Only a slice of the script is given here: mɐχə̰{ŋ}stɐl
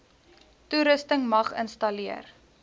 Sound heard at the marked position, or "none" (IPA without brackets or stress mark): n